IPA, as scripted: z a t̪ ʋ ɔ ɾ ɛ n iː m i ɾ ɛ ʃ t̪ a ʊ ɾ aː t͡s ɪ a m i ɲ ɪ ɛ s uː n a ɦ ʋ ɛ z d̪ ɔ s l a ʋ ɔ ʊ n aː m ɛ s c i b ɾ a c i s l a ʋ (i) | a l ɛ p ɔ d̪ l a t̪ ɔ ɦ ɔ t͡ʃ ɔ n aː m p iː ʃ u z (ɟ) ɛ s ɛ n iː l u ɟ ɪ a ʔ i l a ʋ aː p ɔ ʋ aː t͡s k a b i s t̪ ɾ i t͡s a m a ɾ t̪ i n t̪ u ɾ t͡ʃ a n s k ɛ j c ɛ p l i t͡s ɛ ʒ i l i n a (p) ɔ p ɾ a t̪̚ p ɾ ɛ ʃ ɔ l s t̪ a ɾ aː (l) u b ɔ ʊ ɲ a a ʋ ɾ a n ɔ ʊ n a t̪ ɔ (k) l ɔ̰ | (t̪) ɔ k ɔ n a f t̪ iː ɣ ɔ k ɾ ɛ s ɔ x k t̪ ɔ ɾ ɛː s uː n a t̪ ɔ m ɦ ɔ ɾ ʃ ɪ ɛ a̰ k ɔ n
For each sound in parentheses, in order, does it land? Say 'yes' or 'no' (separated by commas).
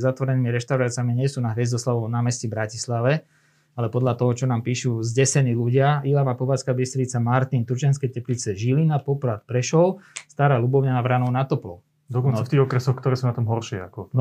no, yes, yes, yes, no, no